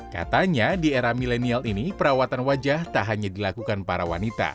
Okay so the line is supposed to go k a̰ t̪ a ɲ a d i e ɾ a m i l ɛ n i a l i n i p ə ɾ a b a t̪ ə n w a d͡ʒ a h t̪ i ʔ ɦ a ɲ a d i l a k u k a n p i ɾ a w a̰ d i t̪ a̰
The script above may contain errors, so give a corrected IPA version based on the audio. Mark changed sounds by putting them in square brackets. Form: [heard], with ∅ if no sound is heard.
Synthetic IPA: k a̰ t̪ a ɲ a d i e ɾ a m i l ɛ n i a l i n i p ə ɾ a [w] a t̪ [a] n w a d͡ʒ a h t̪ [a] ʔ ɦ a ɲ a d i l a k u k a n p [a] ɾ a w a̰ [n] i t̪ a̰